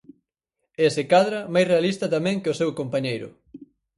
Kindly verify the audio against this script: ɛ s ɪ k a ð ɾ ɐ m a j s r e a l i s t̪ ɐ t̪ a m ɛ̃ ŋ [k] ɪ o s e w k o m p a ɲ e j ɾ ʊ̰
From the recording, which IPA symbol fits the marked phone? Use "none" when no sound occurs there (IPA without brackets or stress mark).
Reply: k